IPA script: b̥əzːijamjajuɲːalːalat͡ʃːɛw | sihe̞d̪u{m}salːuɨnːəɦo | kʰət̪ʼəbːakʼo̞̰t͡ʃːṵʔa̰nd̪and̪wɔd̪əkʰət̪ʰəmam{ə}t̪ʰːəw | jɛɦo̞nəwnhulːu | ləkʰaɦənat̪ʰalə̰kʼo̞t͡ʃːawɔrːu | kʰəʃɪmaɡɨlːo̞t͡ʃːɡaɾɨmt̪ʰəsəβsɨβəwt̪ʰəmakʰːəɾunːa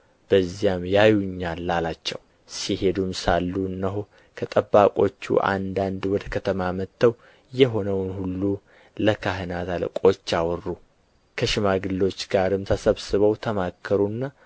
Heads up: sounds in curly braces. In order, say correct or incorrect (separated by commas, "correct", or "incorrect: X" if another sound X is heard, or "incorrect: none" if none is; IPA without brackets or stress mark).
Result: correct, correct